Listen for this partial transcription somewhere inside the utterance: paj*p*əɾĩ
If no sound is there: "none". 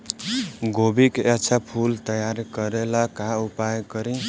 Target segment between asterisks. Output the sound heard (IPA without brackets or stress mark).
k